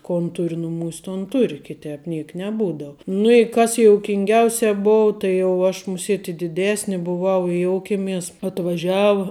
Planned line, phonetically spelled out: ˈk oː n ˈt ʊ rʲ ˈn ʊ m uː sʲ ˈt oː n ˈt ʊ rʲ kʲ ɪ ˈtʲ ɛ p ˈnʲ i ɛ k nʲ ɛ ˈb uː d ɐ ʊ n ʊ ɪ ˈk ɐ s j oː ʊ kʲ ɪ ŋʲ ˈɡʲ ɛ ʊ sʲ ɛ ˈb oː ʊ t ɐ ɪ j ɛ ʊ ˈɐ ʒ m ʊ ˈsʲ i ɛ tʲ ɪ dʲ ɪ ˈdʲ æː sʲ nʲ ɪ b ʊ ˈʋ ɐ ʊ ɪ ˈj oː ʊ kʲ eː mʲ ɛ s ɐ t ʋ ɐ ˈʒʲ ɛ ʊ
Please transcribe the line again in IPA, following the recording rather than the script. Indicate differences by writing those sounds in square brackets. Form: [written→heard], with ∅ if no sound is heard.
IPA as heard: ˈk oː n ˈt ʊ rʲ ˈn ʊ m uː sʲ ˈt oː n ˈt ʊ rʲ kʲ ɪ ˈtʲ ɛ p ˈnʲ i ɛ k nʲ ɛ ˈb uː d ɐ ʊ n ʊ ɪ ˈk ɐ s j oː ʊ kʲ ɪ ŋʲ ˈɡʲ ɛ ʊ sʲ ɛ ˈb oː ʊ t ɐ ɪ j ɛ ʊ ˈɐ [ʒ→ʃ] m ʊ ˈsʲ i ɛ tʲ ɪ dʲ ɪ ˈdʲ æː sʲ nʲ ɪ b ʊ ˈʋ ɐ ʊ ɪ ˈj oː ʊ kʲ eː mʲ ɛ s ɐ t ʋ ɐ ˈʒʲ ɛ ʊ

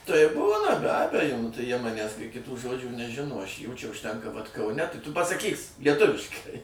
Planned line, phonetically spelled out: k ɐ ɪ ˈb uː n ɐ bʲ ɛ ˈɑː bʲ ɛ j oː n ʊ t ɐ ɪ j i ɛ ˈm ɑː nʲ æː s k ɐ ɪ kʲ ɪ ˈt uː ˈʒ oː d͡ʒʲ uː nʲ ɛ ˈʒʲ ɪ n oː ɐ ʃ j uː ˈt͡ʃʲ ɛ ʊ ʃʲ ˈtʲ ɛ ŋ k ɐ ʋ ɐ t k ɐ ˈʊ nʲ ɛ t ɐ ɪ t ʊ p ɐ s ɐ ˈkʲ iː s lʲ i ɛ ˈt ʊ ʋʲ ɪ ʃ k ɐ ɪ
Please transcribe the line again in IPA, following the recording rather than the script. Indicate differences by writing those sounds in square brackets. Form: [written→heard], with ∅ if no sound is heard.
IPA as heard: [k→t] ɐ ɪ ˈb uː n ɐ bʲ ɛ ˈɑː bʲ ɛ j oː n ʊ t ɐ ɪ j i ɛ ˈm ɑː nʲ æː s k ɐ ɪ kʲ ɪ ˈt uː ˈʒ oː d͡ʒʲ uː nʲ ɛ ˈʒʲ ɪ n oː ɐ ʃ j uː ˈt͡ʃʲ ɛ ʊ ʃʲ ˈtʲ ɛ ŋ k ɐ ʋ ɐ t k ɐ ˈʊ nʲ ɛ t ɐ ɪ t ʊ p ɐ s ɐ ˈkʲ iː s lʲ i ɛ ˈt ʊ ʋʲ ɪ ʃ k ɐ ɪ

